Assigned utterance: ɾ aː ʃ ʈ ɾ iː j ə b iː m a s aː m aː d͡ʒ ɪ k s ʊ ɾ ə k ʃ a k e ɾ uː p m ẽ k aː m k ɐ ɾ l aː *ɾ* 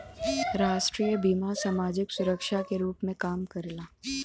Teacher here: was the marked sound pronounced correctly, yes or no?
no